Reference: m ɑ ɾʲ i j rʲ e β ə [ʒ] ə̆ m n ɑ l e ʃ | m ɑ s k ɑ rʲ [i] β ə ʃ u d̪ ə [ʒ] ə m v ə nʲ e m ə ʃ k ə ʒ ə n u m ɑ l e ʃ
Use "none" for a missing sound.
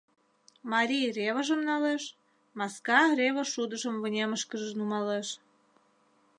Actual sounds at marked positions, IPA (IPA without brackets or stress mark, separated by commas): ʒ, e, ʒ